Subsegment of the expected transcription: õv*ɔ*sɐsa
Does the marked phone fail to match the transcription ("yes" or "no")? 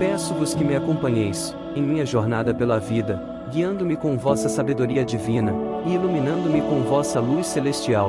no